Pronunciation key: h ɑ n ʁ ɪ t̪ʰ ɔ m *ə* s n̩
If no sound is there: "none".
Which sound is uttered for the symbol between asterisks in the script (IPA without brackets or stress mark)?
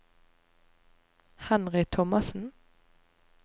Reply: ɑ